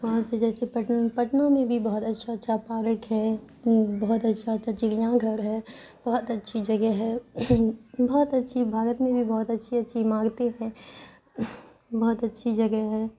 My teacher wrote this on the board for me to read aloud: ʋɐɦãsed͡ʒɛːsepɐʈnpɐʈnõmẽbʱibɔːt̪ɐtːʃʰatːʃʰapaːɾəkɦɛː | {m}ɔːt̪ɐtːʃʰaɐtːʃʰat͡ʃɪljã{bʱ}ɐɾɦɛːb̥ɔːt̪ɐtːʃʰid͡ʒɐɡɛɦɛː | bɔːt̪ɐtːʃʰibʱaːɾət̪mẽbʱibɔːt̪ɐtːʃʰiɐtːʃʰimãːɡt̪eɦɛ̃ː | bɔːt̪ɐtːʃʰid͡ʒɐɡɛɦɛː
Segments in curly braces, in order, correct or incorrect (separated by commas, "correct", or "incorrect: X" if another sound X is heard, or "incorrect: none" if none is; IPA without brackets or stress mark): incorrect: b, incorrect: ɡʱ